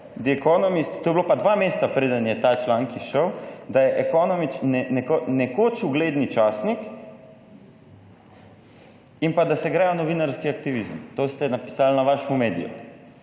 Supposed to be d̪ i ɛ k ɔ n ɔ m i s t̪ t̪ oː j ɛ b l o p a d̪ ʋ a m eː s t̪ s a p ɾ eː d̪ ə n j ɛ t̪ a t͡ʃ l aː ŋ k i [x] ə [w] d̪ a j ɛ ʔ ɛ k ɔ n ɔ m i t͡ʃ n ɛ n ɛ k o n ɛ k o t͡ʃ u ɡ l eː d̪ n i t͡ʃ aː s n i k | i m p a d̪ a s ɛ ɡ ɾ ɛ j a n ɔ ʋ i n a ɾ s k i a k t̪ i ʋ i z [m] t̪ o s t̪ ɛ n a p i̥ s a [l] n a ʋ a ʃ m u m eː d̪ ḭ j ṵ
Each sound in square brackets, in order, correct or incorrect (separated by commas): incorrect, correct, correct, correct